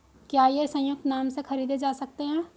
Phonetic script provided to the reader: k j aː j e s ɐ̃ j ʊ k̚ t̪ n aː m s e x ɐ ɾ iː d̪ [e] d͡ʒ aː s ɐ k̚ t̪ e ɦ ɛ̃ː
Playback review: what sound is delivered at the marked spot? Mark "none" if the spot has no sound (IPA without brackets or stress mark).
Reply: e